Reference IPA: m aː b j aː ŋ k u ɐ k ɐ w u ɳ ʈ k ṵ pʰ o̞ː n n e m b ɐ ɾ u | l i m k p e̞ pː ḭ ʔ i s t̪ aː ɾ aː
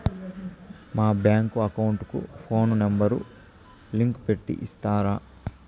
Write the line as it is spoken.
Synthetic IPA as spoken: m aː b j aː ŋ k u ɐ k ɐ w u ɳ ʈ k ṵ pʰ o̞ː n n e m b ɐ ɾ u | l i ŋ k p e̞ ʈː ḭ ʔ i s t̪ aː ɾ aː